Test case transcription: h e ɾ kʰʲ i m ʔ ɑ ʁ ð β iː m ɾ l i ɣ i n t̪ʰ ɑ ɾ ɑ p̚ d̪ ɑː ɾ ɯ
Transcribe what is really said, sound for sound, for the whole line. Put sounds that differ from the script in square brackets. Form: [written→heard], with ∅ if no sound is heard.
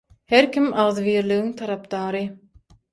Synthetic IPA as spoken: h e ɾ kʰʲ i m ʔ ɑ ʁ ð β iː [m→∅] ɾ l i ɣ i [n→ŋ] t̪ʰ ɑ ɾ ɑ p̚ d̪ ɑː ɾ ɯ